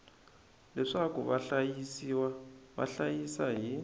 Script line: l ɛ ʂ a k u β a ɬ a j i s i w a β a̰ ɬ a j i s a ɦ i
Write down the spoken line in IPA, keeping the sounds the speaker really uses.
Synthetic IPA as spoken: l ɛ ʂ a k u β a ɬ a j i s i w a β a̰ ɬ a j i s a ɦ i